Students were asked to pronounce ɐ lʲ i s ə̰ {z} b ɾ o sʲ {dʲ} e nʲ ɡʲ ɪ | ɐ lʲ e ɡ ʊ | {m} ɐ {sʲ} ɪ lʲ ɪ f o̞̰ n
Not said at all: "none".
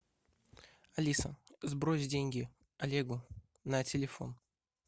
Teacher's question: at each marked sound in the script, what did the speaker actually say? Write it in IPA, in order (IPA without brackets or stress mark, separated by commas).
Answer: z, dʲ, n, tʲ